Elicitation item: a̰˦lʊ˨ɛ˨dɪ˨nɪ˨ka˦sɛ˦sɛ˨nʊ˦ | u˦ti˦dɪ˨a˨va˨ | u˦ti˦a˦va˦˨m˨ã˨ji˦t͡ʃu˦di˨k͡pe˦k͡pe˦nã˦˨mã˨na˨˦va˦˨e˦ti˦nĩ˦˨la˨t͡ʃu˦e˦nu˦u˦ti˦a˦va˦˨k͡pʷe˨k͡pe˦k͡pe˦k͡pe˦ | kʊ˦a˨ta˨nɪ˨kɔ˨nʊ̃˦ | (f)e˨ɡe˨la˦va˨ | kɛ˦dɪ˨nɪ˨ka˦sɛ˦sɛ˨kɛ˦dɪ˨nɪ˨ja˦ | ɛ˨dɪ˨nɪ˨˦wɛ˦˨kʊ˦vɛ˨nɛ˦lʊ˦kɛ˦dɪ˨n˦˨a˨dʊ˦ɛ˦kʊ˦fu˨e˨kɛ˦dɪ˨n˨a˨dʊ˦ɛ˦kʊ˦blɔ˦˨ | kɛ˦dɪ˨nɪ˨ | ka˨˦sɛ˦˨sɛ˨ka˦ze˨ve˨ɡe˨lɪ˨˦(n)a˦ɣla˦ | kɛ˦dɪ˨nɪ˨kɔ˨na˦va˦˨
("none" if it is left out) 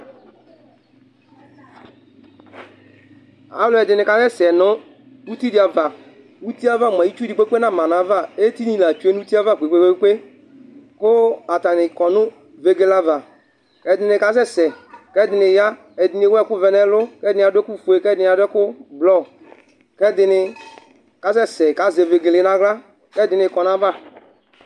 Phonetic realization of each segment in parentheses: v, n

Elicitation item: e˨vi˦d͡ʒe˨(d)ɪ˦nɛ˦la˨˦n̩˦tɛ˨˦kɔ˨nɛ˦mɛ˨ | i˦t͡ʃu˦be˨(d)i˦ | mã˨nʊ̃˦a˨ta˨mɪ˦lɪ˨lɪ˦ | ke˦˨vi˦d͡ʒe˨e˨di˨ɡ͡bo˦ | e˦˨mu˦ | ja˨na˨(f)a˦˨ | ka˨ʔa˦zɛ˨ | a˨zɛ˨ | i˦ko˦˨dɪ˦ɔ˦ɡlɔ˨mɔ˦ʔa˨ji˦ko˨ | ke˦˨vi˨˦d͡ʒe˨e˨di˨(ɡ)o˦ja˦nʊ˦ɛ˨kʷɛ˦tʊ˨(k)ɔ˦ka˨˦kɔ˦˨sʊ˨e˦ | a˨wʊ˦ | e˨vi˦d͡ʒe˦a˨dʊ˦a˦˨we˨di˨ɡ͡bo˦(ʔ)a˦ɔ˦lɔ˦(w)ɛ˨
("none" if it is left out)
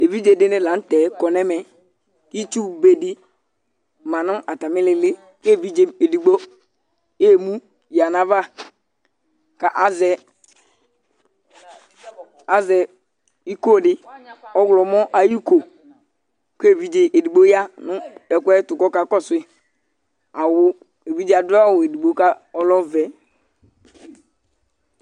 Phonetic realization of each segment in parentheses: d, d, v, ɡ͡b, k, k, v

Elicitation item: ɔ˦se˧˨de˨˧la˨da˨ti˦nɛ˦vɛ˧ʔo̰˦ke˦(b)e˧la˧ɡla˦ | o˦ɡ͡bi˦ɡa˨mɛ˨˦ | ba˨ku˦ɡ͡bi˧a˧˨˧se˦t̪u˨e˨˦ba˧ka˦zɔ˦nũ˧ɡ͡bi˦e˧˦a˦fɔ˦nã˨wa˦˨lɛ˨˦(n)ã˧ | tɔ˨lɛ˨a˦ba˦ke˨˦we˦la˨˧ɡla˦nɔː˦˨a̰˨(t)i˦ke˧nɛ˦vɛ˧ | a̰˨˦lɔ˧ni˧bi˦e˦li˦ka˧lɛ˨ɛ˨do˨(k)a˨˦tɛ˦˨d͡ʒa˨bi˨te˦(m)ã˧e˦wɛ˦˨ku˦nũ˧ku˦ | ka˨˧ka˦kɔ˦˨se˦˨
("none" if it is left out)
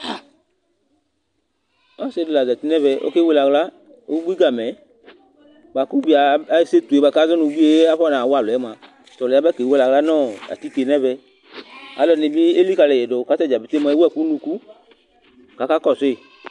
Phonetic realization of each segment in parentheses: w, m, t, k, m

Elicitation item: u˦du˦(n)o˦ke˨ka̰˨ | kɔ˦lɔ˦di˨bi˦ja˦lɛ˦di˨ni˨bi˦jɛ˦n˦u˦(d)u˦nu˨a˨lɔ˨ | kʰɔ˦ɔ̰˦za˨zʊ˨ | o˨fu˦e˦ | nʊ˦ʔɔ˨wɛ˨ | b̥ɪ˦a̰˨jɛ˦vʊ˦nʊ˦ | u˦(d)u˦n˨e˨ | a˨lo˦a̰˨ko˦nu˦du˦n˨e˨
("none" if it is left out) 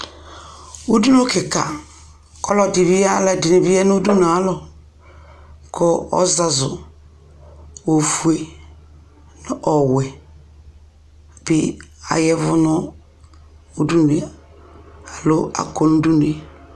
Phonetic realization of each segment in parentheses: n, d, d

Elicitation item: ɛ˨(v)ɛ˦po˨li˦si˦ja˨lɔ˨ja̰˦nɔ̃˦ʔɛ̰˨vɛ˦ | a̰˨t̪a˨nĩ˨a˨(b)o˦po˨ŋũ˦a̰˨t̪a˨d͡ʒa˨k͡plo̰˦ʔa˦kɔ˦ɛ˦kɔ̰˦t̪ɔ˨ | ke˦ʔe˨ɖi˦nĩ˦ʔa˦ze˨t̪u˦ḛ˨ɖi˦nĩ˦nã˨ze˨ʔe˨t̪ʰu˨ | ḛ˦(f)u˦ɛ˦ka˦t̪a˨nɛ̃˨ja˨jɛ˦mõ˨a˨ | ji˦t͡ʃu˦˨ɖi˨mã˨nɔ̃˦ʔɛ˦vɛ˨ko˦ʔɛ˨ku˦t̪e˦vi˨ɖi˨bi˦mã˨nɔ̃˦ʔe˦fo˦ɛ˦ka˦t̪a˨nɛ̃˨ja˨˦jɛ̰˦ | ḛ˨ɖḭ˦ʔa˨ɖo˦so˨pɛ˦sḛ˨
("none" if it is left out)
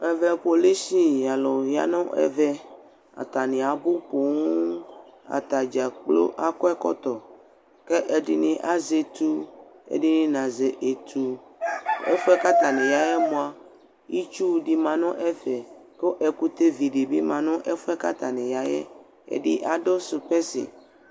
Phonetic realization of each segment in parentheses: v, b, f

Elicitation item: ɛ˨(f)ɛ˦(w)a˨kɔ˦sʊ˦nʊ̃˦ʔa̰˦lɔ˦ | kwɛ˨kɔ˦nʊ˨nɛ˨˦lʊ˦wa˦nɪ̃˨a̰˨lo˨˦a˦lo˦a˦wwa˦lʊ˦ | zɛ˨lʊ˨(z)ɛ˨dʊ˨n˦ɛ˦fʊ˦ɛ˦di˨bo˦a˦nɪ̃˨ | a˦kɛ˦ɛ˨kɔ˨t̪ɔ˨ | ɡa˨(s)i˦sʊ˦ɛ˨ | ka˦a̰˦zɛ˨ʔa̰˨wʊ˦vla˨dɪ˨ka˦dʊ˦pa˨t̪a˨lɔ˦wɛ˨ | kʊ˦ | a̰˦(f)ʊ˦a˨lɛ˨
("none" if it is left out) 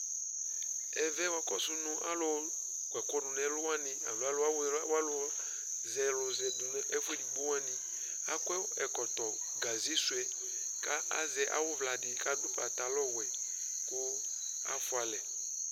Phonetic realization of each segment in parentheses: v, w, z, z, f

